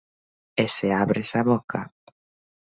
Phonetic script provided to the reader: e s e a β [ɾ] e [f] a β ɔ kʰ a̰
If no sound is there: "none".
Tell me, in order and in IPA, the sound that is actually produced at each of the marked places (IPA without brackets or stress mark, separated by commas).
ɾ, s